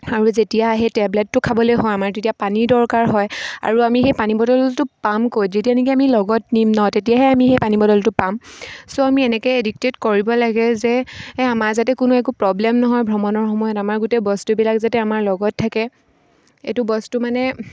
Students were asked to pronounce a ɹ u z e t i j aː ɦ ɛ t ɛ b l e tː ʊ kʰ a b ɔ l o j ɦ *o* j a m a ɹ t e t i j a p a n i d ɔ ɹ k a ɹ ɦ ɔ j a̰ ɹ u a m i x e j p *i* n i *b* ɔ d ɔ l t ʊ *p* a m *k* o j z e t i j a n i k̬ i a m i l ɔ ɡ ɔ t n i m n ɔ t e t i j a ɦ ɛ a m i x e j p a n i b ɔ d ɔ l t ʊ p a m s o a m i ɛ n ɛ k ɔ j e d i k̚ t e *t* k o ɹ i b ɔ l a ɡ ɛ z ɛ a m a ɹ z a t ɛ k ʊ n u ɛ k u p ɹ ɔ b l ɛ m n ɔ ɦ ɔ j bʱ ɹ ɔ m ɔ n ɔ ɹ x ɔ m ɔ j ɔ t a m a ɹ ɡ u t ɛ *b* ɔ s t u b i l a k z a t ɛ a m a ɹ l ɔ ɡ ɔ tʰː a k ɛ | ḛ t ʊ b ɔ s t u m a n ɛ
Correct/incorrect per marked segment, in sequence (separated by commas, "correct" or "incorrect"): incorrect, incorrect, correct, correct, correct, correct, correct